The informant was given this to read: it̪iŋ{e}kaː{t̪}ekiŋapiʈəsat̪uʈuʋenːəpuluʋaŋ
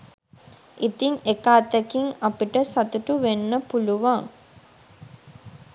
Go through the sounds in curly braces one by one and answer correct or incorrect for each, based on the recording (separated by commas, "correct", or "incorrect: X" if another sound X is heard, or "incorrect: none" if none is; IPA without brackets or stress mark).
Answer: correct, correct